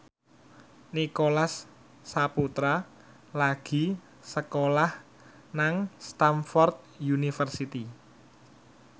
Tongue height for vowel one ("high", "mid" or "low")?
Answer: high